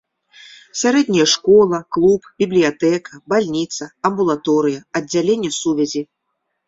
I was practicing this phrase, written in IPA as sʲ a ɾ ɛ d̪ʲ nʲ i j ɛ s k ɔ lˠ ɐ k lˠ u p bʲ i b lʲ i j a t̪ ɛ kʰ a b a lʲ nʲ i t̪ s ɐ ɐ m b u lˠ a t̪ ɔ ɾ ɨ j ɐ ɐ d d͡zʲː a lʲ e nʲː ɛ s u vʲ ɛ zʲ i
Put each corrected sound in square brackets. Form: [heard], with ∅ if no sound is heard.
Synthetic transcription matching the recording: sʲ a ɾ ɛ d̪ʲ nʲ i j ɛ [ʂ] k ɔ lˠ ɐ k lˠ u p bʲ i b lʲ i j a t̪ ɛ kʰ [ɐ] b a lʲ nʲ i t̪ s ɐ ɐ m b u lˠ a t̪ ɔ ɾ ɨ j ɐ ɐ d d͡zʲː a lʲ e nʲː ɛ s u vʲ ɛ zʲ i